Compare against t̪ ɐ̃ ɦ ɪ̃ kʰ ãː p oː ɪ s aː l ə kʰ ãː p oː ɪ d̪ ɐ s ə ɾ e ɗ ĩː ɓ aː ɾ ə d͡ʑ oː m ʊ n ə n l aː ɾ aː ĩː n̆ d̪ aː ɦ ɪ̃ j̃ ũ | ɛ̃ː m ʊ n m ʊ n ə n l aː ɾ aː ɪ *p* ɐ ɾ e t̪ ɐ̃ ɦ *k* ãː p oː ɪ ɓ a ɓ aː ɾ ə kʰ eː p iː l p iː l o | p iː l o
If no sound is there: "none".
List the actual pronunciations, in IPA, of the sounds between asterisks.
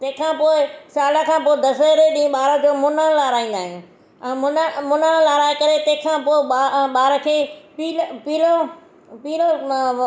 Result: k, kʰ

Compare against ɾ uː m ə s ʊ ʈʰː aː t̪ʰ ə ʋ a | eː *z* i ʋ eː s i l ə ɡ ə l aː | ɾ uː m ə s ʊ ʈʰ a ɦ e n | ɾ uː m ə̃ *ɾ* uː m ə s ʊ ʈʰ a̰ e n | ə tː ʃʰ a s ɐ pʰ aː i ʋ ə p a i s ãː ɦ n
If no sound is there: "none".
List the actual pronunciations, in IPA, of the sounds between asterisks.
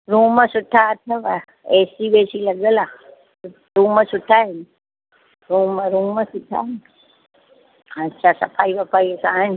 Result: s, ɾ

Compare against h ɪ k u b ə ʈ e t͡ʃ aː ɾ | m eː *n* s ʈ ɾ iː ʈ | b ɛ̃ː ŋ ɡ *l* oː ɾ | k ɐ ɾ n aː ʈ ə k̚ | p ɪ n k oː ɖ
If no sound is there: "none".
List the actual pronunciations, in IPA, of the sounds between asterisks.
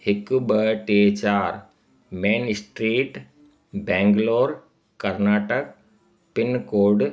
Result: n, l

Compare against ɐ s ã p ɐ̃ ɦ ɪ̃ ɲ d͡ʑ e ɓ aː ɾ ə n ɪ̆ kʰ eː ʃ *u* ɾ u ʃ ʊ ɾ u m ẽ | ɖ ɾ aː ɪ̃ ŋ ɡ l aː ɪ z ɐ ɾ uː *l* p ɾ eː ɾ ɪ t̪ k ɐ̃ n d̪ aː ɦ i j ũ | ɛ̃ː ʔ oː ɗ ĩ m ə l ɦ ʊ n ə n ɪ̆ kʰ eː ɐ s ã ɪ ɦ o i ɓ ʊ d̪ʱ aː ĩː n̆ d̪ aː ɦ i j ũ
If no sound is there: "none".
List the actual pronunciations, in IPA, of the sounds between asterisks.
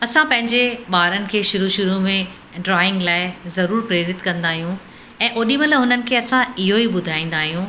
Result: ʊ, ɾ

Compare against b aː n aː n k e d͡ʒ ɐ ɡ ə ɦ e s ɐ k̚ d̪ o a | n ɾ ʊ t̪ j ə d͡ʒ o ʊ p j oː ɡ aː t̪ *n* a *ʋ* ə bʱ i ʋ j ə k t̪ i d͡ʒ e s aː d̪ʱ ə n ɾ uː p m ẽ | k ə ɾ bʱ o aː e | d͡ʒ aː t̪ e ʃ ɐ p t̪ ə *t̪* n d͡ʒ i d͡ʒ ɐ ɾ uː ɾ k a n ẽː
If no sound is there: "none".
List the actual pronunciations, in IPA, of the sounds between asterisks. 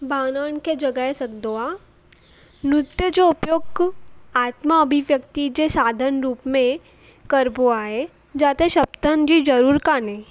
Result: m, none, none

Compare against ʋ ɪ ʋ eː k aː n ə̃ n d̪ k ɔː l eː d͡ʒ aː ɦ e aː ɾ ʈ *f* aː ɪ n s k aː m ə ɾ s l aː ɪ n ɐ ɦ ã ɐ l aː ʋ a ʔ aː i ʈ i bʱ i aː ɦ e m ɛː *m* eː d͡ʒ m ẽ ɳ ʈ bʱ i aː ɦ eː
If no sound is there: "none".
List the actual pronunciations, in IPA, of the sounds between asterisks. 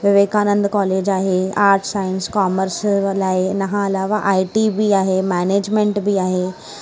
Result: s, n

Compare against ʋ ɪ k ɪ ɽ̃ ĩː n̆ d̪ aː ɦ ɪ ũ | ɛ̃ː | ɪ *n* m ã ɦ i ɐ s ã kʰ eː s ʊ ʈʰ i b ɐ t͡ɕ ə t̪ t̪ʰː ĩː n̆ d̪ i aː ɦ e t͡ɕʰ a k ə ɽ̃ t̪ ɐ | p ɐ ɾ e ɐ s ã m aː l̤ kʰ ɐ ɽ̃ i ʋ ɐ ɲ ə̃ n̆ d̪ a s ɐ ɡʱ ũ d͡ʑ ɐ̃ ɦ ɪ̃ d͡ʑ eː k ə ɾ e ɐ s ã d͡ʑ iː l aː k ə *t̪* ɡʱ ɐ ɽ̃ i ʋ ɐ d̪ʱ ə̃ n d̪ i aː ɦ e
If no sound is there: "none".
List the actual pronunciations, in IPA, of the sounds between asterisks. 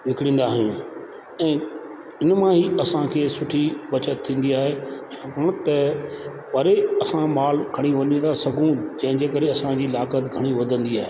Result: n, t̪

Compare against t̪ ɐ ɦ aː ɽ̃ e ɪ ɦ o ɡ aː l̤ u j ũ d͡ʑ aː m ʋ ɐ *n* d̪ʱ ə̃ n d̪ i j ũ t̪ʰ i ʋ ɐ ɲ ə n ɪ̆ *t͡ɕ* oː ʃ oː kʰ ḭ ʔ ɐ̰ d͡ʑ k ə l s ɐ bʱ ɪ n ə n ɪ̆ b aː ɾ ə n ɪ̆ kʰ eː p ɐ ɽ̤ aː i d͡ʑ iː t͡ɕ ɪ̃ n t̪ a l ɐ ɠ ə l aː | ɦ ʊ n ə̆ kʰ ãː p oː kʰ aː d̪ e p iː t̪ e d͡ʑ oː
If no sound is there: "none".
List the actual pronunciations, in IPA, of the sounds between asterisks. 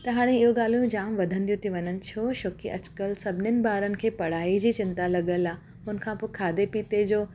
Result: none, t͡ɕʰ

